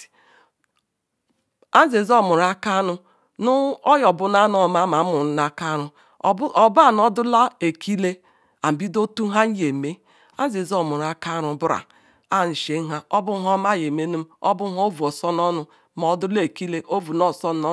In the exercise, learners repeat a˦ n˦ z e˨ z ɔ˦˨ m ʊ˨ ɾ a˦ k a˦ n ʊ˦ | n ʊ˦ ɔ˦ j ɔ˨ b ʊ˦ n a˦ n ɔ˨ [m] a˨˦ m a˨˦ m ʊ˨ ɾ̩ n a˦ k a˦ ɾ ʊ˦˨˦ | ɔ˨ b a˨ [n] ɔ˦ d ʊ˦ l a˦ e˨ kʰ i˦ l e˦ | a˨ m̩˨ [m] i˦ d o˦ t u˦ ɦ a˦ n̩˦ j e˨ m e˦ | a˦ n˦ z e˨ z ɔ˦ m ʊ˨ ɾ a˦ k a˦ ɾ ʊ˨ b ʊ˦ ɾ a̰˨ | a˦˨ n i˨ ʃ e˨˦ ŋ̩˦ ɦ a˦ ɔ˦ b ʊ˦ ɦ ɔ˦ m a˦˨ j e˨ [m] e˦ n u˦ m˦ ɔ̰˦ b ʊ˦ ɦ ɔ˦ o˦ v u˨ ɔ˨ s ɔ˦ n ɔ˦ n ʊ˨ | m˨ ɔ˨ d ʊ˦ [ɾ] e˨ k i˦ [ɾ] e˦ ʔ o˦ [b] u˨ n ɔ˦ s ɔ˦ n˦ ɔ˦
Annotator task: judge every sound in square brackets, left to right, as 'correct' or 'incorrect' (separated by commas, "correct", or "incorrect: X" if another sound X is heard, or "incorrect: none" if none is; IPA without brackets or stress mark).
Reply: correct, correct, incorrect: b, correct, incorrect: l, incorrect: l, incorrect: v